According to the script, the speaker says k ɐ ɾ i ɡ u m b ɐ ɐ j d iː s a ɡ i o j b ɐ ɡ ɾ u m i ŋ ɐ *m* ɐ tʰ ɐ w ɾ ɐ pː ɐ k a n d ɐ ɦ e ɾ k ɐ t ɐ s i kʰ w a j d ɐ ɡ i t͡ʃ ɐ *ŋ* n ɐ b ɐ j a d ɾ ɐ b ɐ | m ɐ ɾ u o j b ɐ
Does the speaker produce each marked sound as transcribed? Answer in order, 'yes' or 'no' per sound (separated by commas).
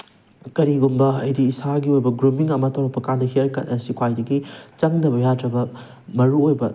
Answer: yes, yes